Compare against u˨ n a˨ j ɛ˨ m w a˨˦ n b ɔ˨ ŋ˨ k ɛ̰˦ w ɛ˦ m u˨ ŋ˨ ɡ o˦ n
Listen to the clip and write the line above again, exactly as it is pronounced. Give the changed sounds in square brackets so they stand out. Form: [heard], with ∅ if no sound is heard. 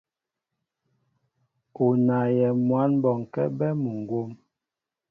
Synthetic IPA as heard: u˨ n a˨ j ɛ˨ m w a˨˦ n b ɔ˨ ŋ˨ k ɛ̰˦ [b] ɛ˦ m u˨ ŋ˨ ɡ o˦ [m]